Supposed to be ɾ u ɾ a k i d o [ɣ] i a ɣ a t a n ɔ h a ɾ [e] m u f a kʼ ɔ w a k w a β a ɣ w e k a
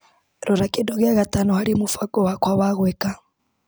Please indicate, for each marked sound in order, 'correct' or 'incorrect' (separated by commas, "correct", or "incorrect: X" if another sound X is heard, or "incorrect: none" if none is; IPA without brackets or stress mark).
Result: correct, incorrect: i